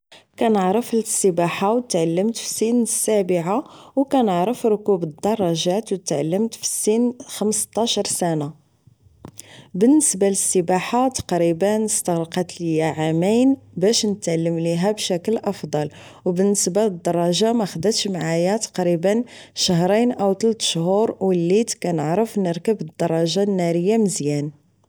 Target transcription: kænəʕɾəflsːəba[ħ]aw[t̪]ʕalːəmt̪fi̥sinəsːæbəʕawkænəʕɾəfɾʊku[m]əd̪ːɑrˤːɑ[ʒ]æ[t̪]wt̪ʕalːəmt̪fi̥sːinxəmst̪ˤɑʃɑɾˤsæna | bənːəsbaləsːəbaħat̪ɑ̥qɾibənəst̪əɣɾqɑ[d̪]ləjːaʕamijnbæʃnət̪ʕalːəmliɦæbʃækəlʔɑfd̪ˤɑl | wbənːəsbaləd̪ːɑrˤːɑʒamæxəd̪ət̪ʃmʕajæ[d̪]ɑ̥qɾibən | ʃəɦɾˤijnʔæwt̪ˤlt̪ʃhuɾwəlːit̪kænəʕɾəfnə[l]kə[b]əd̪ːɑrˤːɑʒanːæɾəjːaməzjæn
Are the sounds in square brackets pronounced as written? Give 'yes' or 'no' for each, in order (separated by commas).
yes, yes, no, yes, yes, no, no, no, yes